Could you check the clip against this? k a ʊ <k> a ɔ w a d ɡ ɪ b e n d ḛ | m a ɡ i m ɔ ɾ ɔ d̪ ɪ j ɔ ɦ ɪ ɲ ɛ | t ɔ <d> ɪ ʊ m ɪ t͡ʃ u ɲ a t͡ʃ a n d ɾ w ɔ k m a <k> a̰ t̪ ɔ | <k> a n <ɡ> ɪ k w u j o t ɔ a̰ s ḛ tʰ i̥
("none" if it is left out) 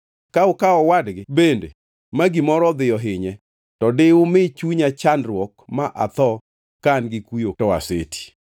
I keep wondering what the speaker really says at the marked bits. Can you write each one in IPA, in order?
k, d, ʔ, k, ɡ

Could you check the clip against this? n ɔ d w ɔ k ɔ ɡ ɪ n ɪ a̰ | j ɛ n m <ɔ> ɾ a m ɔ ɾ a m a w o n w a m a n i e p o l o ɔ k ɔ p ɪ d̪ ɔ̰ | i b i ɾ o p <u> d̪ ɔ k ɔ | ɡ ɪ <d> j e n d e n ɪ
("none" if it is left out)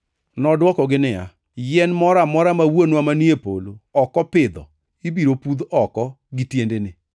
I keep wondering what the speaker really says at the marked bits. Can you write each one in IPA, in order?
ɔ, u, t

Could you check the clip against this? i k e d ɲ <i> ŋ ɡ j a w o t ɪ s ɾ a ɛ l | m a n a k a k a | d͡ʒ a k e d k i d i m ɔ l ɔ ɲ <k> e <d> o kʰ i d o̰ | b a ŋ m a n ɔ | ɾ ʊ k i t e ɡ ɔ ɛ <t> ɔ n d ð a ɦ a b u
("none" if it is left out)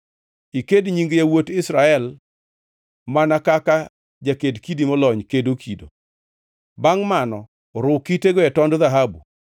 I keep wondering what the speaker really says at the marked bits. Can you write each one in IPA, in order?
i, k, d, t

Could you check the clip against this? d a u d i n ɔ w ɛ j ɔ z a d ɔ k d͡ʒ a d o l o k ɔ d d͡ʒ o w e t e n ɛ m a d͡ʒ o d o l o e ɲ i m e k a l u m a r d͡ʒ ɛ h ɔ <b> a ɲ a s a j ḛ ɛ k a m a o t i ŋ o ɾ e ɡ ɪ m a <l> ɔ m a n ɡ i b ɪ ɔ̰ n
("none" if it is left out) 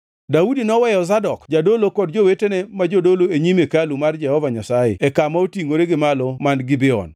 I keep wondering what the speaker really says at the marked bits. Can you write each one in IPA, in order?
v, l

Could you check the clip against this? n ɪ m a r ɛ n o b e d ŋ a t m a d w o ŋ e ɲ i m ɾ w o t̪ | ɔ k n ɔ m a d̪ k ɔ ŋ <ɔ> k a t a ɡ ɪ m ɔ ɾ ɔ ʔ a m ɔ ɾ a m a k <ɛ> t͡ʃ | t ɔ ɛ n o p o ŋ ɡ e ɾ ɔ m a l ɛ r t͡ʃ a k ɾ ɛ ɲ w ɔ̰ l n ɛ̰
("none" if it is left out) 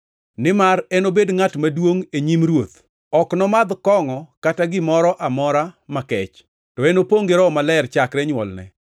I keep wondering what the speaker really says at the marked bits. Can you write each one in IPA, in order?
ɔ, ɛ

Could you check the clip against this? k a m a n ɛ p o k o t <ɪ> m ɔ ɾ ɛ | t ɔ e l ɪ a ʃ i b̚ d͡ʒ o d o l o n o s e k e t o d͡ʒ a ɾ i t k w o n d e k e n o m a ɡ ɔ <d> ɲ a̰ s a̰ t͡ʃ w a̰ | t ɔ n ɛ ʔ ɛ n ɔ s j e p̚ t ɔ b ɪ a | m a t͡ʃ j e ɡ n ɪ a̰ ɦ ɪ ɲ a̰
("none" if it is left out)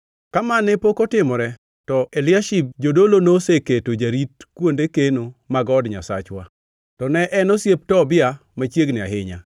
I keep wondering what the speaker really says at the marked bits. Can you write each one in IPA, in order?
ɪ, d

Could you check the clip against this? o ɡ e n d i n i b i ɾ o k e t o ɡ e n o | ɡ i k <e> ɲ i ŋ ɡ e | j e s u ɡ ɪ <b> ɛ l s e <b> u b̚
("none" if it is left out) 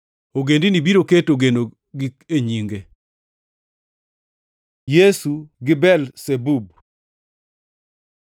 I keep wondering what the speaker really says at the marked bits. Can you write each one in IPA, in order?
e, b, b

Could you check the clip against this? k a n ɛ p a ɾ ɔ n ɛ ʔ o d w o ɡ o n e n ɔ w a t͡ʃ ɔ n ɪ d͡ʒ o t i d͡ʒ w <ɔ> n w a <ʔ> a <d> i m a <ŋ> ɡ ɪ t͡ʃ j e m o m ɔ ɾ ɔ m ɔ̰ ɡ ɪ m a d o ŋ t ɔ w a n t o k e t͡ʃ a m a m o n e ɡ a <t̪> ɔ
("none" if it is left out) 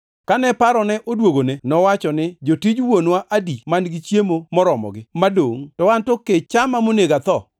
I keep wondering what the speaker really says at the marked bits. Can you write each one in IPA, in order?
o, ʔ, d, n, t̪

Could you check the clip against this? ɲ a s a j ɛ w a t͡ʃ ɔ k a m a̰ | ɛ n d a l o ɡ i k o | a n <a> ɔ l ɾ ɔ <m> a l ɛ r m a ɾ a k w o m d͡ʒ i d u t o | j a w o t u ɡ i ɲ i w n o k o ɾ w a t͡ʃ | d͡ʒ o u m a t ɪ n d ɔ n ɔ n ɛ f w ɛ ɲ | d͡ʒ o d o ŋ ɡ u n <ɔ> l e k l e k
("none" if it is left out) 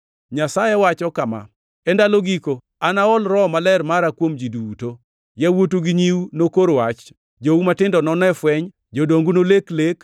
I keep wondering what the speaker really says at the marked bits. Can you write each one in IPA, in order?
a, m, o

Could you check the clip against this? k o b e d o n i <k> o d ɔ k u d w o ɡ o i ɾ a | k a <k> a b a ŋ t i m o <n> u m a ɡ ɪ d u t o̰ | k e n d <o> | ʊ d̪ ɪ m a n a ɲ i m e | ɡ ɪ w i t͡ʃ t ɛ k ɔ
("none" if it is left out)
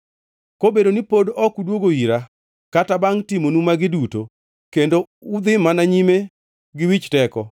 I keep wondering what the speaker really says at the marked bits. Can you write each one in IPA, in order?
p, t, n, o

